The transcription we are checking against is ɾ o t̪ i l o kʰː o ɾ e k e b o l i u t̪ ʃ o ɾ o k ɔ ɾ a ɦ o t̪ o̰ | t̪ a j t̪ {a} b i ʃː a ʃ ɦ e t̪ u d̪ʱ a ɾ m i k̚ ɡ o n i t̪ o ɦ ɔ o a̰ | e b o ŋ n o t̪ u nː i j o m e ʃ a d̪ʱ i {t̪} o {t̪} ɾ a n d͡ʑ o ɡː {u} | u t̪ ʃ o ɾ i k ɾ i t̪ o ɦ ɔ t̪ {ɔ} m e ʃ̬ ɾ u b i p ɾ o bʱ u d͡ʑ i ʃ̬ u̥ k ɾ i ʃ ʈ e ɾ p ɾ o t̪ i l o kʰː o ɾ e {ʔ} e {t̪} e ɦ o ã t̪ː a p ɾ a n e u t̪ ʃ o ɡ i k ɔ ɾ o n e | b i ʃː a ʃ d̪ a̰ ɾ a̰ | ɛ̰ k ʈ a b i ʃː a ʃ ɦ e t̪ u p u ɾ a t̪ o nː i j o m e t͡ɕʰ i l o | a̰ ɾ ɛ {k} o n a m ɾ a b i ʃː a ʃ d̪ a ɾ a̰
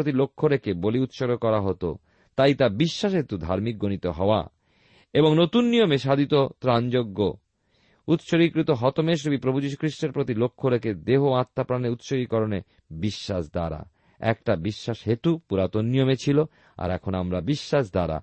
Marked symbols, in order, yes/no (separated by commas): yes, yes, yes, no, no, no, no, no